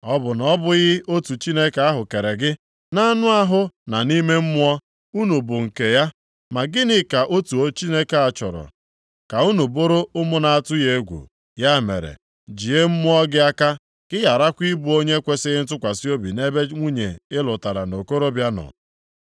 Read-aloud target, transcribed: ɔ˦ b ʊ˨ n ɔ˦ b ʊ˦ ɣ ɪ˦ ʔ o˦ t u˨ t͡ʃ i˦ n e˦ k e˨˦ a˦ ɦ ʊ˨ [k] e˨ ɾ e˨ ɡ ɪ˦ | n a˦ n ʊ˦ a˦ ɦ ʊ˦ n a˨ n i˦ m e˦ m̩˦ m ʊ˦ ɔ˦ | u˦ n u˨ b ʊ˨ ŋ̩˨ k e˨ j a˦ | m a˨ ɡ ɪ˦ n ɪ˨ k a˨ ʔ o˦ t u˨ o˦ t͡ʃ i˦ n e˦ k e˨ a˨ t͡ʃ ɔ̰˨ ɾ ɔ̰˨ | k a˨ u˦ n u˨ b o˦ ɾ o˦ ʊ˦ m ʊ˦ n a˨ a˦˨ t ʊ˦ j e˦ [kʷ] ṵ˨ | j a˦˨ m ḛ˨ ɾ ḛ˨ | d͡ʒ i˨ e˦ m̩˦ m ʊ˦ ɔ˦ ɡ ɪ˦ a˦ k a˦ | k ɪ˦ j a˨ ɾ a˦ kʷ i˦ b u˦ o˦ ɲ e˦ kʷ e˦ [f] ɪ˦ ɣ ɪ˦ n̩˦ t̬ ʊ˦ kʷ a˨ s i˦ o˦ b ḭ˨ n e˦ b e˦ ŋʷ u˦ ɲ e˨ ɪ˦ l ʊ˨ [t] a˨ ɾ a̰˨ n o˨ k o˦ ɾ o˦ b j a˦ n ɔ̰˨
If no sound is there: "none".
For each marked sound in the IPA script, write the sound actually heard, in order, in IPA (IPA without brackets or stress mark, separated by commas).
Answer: k, ɡʷ, s, t